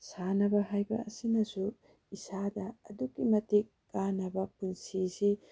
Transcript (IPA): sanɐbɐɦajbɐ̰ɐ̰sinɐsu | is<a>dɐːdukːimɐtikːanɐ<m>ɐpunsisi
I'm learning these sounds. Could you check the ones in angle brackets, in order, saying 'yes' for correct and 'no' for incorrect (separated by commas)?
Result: yes, no